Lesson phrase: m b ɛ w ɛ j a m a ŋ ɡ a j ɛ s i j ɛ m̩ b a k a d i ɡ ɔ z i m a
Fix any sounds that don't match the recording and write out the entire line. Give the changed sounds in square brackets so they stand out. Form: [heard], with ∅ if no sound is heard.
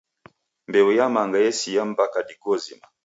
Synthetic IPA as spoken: m b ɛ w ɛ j a m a ŋ ɡ a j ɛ s i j [a] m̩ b a k a d i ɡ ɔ z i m a